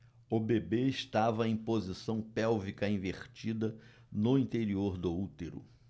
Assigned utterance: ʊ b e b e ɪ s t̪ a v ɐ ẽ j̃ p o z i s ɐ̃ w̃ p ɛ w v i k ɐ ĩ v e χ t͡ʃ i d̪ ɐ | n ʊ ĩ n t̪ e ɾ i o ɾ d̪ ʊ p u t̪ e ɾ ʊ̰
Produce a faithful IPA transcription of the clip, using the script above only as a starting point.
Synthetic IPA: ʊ b e b e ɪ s t̪ a v ɐ ẽ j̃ p o z i s ɐ̃ w̃ p ɛ w v i k ɐ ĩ v e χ t͡ʃ i d̪ ɐ | n ʊ ĩ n t̪ e ɾ i o ɾ d̪ ʊ u t̪ e ɾ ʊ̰